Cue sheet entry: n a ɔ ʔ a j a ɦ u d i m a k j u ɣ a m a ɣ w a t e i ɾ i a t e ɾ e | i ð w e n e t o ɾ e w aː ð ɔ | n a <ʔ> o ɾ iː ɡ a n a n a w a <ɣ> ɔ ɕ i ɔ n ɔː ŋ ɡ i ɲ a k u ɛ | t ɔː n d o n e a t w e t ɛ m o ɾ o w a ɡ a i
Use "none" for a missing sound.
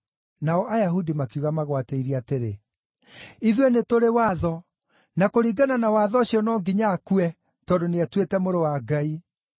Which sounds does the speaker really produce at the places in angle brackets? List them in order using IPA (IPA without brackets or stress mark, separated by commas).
k, ð